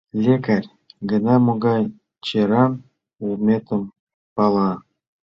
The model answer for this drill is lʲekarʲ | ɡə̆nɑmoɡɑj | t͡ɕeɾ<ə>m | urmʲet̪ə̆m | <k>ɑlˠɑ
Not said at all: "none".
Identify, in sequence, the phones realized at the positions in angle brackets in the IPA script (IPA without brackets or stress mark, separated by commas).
ɑ, p